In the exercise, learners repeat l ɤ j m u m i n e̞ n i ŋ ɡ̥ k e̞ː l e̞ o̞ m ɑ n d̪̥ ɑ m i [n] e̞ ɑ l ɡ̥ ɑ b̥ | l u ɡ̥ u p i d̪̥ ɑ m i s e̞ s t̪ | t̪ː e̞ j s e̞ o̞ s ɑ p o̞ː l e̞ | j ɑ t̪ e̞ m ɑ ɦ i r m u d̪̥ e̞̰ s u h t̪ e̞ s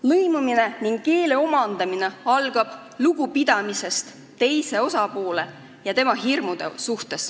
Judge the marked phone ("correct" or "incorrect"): correct